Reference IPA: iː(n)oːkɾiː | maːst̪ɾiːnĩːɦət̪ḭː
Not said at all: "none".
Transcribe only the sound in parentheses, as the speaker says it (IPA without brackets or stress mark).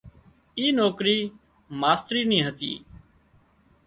n